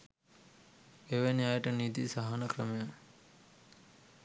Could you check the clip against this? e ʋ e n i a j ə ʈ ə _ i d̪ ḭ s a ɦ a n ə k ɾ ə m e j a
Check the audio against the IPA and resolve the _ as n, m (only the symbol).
n